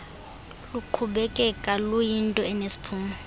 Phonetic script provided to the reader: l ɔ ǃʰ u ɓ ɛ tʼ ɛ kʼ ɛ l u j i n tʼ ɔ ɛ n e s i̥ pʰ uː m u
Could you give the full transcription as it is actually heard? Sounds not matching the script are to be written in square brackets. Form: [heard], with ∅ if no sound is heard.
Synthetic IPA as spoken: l [u] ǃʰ u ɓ ɛ [kʼ] ɛ kʼ [a] l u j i n tʼ ɔ ɛ n e s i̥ pʰ uː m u